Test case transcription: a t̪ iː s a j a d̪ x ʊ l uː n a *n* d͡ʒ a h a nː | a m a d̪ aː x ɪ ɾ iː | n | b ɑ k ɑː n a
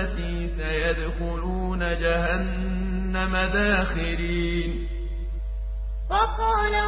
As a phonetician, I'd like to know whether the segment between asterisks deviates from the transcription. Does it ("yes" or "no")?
yes